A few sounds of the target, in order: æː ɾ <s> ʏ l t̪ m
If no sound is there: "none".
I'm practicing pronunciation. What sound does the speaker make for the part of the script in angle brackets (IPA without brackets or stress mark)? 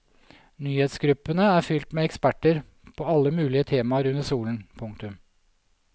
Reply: f